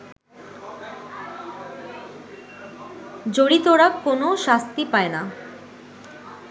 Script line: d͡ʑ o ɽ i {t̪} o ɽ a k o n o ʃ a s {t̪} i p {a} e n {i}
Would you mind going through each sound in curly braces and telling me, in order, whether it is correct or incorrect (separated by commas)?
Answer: correct, correct, correct, incorrect